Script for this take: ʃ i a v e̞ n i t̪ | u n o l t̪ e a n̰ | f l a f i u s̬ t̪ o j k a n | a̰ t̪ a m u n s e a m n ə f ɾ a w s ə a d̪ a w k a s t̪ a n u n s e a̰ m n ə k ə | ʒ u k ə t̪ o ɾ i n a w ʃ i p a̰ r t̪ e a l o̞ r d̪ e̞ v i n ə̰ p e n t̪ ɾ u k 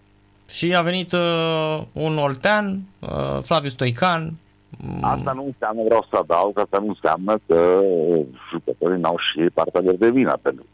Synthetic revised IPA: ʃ i a v e̞ n i t̪ | u n o l t̪ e a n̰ | f l a v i u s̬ t̪ o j k a n | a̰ t̪ a n u n s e a m n ə v ɾ a w s ə a d̪ a w k a s t̪ a n u n s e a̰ m n ə k ə | ʒ u k ə t̪ o ɾ i n a w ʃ i p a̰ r t̪ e a l o̞ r d̪ e̞ v i n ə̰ p e n t̪ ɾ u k